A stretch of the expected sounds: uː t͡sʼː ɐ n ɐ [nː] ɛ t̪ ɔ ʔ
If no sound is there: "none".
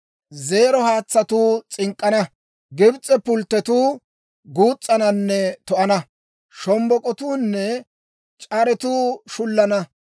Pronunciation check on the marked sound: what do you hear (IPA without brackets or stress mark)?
nː